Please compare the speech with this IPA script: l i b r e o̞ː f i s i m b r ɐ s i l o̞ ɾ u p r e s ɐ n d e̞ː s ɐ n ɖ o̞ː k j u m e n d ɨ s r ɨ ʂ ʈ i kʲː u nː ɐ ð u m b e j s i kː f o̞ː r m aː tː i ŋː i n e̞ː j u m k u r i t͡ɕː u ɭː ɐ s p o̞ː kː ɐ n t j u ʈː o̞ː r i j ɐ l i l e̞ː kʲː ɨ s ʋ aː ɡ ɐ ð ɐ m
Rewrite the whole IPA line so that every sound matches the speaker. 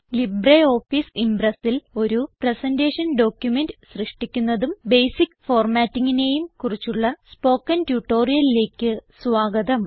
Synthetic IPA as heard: l i b r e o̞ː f i s i m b r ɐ s i l o̞ ɾ u p r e s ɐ n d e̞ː ʂ ɐ n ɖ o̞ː k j u m e n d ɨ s r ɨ ʂ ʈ i kʲː u nː ɐ ð u m b e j s i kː f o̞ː r m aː tː i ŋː i n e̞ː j u m k u r i t͡ɕː u ɭː ɐ s p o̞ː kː ɐ n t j u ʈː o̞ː r i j ɐ l i l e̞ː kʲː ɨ s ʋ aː ɡ ɐ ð ɐ m